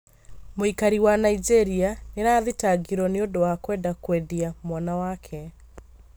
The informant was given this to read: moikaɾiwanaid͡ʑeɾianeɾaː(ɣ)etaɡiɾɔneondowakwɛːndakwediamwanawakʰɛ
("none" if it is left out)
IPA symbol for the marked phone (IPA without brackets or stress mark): ð